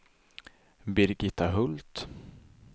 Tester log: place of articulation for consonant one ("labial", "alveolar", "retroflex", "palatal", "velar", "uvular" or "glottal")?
labial